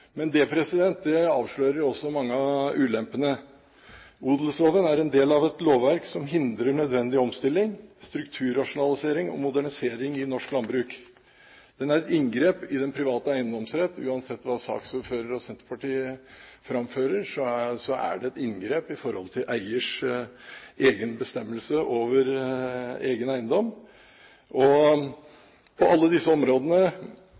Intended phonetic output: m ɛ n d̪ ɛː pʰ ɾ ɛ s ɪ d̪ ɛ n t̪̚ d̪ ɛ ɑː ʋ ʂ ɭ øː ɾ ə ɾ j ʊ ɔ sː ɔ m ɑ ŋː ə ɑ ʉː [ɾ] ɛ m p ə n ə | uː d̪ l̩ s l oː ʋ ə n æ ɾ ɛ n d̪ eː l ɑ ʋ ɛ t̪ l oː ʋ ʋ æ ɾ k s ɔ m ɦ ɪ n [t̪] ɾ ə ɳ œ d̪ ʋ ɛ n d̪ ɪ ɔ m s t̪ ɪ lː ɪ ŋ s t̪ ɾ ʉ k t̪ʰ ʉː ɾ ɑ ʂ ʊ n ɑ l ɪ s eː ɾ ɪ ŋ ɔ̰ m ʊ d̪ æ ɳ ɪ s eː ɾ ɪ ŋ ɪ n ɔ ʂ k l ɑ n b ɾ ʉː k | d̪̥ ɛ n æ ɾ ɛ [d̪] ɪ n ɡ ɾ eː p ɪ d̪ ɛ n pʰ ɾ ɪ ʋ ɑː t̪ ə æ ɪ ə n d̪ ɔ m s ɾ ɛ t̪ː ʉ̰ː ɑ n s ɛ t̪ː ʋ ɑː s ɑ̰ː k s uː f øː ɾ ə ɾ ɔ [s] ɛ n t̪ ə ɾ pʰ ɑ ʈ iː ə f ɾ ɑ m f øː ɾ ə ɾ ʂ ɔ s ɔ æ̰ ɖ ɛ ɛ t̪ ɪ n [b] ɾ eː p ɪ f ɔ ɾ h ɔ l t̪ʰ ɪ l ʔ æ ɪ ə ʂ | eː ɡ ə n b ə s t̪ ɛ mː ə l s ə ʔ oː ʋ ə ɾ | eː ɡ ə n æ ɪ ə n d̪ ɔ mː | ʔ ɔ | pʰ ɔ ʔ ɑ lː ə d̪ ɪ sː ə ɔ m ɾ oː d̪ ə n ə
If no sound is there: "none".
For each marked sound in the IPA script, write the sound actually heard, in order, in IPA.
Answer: l, d̪, t̪, s, ɡ

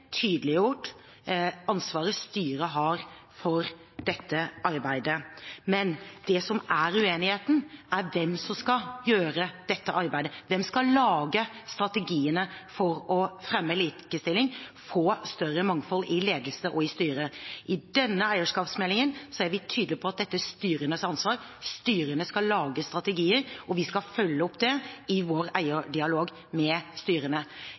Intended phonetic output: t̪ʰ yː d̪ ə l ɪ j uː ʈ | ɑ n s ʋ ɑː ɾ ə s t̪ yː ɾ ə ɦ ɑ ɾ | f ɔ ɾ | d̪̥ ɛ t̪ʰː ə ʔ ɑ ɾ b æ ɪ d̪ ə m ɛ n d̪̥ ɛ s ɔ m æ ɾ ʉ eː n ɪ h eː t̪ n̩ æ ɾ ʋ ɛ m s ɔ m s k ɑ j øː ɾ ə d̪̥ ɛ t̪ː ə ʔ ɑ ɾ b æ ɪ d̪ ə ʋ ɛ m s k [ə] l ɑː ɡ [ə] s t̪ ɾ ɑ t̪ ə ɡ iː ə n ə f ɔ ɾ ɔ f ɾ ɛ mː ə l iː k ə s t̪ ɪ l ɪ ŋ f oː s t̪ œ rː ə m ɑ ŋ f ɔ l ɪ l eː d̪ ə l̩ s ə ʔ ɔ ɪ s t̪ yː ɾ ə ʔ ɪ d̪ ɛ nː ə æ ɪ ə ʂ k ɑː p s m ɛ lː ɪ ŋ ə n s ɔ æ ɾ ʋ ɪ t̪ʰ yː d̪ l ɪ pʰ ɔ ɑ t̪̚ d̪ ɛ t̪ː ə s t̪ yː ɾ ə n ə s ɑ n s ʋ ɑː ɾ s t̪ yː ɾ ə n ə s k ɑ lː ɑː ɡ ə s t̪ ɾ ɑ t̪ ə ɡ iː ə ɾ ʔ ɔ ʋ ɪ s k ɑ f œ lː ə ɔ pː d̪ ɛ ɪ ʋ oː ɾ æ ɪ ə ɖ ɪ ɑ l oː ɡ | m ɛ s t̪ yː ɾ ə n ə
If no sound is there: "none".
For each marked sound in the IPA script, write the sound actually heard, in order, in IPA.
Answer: ɑ, ə

